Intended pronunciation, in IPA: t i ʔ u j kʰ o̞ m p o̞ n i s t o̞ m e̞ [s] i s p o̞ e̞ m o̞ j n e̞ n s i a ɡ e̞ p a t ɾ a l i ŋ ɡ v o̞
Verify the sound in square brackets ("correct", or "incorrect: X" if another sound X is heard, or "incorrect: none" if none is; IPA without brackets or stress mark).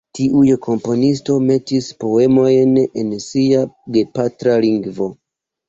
incorrect: t